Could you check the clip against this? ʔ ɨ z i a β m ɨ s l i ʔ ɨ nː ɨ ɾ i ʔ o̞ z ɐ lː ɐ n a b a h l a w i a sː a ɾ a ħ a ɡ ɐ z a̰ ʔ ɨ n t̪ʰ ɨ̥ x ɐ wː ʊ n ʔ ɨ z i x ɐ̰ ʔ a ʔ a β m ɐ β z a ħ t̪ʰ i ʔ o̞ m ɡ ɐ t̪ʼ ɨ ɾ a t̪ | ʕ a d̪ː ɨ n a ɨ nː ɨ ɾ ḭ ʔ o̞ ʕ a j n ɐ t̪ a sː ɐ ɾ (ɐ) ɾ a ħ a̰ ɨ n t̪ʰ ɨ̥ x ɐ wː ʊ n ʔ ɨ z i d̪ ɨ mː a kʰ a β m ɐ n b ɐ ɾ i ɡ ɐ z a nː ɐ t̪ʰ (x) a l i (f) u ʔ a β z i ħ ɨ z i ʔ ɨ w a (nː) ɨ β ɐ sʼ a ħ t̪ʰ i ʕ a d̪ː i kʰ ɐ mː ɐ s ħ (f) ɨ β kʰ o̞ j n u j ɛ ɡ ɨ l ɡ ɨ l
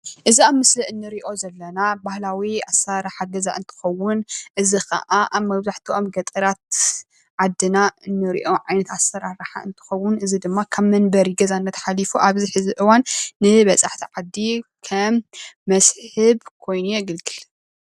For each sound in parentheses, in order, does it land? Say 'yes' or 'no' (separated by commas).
no, no, yes, yes, no